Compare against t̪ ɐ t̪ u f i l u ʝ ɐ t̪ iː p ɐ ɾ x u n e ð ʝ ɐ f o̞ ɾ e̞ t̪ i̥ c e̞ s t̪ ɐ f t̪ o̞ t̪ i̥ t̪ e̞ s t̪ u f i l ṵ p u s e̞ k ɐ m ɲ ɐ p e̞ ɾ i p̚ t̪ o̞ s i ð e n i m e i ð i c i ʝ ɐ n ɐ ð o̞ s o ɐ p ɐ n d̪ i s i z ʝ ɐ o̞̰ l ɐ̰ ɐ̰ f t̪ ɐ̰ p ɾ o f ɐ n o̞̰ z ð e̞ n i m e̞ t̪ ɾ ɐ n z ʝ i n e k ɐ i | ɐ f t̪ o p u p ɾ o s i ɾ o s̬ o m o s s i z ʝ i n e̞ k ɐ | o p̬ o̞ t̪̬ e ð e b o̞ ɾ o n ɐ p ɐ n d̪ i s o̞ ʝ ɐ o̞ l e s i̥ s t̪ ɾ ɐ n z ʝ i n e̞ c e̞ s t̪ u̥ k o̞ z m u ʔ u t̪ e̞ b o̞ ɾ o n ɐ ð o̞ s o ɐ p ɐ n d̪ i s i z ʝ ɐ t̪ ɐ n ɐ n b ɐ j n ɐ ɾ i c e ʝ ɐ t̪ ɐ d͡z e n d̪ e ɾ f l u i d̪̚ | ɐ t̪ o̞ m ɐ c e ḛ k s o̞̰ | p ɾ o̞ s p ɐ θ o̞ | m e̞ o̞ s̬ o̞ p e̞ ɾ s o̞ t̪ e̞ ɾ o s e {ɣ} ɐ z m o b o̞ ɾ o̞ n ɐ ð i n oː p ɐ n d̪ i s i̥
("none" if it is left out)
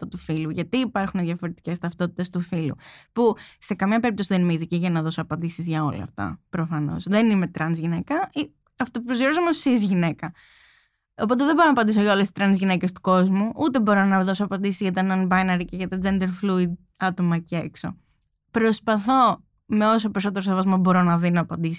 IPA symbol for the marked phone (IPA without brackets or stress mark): v